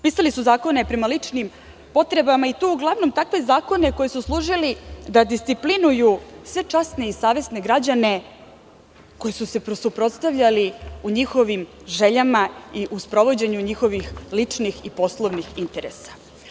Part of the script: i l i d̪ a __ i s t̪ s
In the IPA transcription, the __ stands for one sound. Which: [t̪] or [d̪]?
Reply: d̪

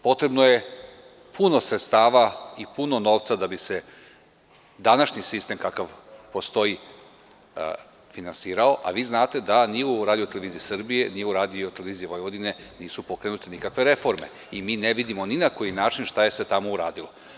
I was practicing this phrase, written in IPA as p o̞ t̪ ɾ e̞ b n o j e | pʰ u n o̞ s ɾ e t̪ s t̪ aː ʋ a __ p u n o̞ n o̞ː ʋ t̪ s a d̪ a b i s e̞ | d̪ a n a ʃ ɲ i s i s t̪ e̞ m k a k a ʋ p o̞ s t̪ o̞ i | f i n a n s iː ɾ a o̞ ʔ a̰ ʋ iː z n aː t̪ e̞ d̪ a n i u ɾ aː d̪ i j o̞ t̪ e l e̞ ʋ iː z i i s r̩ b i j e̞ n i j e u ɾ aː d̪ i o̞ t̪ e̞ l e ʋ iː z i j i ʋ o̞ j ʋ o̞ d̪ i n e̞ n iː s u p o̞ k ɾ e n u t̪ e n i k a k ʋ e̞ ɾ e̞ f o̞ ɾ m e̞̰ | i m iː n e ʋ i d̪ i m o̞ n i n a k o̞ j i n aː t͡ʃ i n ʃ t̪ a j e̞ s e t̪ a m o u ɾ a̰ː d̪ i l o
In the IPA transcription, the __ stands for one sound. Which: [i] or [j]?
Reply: i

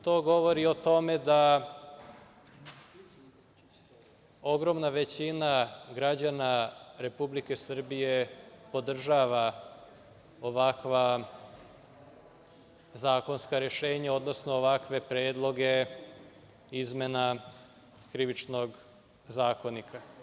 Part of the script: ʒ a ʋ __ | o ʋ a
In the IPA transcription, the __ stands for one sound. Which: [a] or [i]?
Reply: a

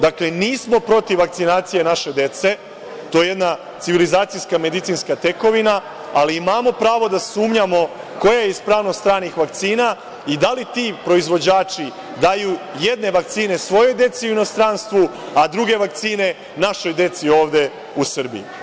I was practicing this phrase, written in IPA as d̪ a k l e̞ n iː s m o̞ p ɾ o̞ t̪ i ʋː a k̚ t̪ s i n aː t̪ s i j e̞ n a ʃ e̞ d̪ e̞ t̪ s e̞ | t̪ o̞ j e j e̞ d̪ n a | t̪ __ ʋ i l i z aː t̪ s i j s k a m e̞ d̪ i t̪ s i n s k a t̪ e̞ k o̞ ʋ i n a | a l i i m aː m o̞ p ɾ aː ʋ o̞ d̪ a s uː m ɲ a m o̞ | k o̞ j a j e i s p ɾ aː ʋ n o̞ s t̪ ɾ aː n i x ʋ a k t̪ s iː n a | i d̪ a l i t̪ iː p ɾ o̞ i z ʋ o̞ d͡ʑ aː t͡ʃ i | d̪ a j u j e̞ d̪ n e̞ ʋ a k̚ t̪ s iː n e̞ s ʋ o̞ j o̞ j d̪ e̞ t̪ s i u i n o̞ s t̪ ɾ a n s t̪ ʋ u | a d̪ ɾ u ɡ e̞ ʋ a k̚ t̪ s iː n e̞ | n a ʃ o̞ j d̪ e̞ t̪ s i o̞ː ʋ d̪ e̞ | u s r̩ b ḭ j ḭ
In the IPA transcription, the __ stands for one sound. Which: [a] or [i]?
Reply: i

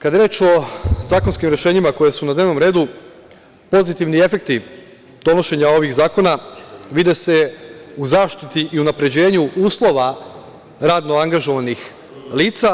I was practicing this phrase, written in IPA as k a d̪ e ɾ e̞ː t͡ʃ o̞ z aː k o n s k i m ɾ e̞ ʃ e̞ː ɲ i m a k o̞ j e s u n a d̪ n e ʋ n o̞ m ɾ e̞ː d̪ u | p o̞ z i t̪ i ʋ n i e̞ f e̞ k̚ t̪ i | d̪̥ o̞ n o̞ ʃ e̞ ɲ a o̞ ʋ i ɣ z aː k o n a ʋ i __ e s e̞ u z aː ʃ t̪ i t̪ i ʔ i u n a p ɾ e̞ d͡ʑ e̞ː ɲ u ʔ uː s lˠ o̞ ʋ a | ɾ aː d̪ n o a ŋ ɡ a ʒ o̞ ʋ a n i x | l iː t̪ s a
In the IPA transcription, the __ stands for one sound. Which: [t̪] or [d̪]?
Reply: d̪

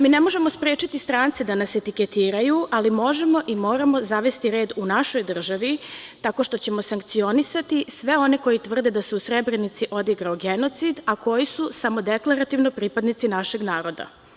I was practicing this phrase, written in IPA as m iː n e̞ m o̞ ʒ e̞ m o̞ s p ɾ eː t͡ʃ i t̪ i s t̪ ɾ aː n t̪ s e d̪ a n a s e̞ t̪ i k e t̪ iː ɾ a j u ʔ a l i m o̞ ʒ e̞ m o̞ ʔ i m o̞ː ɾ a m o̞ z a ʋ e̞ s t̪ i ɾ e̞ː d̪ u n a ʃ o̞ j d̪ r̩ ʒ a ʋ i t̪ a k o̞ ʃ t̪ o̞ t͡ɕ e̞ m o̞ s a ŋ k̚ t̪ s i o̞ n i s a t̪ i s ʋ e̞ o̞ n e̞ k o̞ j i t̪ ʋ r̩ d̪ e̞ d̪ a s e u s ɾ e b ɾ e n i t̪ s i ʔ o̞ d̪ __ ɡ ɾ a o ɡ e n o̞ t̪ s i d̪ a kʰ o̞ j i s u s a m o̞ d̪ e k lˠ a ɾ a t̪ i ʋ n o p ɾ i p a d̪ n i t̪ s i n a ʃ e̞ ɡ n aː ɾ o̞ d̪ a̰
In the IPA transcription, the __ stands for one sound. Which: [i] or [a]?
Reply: i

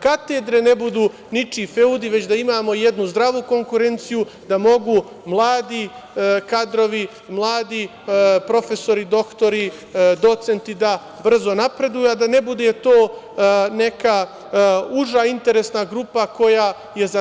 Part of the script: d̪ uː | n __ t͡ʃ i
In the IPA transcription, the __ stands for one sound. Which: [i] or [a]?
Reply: i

